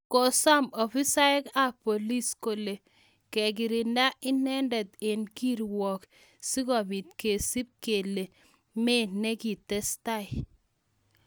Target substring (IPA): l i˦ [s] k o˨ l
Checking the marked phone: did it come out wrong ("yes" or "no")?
no